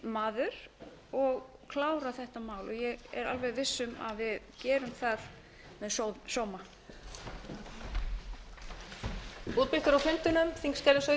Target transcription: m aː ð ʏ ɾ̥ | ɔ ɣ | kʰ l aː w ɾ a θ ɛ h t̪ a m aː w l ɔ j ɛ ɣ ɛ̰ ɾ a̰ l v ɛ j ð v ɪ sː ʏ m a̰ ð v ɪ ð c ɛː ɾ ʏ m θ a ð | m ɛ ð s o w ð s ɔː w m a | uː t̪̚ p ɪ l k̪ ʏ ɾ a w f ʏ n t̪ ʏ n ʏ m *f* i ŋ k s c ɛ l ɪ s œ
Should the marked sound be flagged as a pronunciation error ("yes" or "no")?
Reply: yes